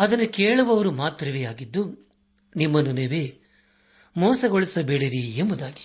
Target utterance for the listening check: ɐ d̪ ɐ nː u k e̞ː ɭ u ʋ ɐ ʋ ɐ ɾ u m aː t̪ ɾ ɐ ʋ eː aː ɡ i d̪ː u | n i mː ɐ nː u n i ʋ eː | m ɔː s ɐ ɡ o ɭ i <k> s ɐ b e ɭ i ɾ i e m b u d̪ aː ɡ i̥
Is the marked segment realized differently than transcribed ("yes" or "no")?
yes